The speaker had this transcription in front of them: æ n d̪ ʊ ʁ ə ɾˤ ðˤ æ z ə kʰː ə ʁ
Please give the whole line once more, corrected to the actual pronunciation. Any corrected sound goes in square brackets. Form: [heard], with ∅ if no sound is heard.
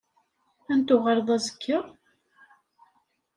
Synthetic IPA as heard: æ n [t̪] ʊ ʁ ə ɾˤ ðˤ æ z ə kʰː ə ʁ